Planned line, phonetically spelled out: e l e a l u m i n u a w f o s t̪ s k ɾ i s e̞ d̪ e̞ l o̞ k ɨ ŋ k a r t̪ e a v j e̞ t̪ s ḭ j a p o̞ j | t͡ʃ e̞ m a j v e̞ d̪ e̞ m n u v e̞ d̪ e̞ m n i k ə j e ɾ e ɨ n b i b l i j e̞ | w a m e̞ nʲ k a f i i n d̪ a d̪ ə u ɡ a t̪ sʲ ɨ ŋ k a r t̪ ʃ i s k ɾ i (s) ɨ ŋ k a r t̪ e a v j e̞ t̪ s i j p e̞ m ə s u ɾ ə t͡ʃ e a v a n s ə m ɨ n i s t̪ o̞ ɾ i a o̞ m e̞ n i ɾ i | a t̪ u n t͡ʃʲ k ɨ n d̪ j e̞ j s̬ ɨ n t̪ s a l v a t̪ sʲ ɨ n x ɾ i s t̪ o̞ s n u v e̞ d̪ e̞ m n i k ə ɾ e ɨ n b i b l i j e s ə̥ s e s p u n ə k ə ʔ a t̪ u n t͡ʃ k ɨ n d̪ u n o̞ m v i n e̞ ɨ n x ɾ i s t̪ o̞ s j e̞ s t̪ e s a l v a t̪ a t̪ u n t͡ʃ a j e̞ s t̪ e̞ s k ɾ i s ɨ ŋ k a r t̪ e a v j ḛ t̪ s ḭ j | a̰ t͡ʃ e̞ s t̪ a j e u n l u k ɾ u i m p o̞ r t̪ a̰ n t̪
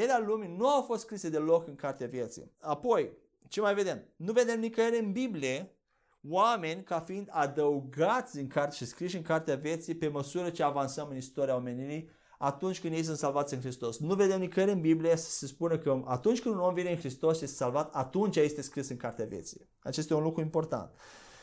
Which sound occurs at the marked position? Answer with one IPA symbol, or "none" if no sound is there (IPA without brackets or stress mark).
ʃ